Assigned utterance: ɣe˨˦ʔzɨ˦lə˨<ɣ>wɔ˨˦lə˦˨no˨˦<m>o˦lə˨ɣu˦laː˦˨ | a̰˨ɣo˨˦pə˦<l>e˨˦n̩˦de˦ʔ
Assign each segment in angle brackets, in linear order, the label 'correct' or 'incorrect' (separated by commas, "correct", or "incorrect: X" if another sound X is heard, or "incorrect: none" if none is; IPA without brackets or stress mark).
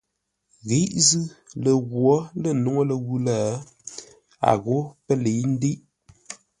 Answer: correct, incorrect: ŋ, correct